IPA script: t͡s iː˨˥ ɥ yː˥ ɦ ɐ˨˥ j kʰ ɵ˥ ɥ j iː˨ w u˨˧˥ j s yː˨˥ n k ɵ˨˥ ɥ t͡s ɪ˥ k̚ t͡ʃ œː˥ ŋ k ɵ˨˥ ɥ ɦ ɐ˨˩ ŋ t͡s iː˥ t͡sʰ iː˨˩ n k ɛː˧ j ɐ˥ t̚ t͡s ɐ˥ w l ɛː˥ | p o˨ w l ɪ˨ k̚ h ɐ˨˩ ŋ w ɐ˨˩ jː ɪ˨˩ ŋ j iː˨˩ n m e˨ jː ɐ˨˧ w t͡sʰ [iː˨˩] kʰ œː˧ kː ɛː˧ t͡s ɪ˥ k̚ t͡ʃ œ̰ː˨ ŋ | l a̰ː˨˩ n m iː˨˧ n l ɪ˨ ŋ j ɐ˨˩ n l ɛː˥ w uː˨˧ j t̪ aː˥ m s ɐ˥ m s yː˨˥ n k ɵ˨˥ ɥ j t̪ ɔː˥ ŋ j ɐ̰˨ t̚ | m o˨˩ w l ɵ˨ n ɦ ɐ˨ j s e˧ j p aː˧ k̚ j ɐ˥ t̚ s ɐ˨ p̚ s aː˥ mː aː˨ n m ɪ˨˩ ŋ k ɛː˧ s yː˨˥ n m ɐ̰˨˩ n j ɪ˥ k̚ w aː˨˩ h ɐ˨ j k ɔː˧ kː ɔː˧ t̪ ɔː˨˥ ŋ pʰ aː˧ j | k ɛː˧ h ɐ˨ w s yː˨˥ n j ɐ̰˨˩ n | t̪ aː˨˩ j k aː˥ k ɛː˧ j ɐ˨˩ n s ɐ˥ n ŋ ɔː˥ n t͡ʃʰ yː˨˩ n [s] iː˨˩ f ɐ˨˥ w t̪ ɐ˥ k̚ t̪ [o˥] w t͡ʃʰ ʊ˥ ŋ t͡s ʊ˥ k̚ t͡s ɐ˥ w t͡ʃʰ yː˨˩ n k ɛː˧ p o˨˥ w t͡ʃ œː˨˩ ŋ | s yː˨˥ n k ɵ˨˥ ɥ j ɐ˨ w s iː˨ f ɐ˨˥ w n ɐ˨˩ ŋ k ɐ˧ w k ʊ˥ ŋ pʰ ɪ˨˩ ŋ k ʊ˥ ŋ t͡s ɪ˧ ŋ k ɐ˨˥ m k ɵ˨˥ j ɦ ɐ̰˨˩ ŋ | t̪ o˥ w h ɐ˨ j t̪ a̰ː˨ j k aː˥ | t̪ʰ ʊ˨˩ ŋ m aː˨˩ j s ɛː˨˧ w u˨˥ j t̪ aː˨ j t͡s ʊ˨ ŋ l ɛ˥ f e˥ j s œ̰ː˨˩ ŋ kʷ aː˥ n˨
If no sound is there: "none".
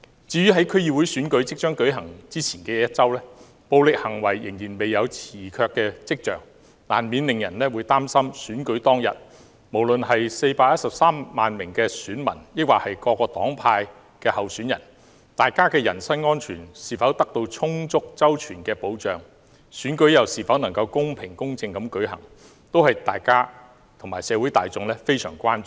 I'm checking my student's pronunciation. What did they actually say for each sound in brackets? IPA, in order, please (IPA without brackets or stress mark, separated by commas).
iː˨˩, s, o˧